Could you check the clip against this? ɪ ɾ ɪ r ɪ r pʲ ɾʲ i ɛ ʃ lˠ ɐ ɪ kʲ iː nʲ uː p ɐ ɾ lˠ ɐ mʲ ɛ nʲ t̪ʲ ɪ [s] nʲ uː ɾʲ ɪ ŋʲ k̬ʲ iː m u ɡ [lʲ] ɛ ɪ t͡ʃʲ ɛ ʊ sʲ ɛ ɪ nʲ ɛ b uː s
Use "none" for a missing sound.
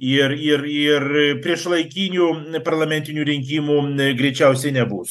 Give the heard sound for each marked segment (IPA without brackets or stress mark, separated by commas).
none, ɾʲ